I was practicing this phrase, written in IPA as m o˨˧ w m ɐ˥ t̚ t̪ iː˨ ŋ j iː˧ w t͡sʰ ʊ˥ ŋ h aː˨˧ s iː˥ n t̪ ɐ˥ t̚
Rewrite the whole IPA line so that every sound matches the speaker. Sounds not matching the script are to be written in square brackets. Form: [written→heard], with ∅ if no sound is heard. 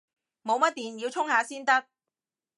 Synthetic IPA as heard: m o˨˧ w m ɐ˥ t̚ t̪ iː˨ [ŋ→n] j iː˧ w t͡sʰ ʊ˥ ŋ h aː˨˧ s iː˥ n t̪ ɐ˥ [t̚→k̚]